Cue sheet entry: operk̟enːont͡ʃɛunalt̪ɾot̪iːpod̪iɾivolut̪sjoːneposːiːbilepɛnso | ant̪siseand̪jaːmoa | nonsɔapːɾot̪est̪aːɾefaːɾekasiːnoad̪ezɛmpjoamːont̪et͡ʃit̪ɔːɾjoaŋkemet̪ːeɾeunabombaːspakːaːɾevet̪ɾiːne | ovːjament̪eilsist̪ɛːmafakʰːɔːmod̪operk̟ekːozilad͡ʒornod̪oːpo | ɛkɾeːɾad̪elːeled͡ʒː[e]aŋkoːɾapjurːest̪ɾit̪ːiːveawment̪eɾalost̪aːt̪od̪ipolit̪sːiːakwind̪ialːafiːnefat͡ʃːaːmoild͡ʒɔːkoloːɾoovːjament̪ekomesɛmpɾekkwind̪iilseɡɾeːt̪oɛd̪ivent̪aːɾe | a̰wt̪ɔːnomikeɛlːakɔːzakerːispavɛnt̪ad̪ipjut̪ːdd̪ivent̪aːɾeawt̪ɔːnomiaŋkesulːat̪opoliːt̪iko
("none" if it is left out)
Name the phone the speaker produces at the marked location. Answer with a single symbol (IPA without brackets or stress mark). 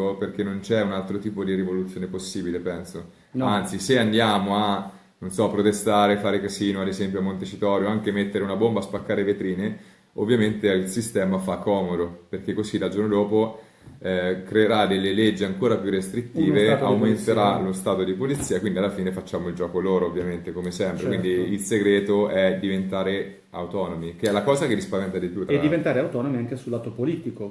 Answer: i